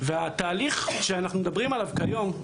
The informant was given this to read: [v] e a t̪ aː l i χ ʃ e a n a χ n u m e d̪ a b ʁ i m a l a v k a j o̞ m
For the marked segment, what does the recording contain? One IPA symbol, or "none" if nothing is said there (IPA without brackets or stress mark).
v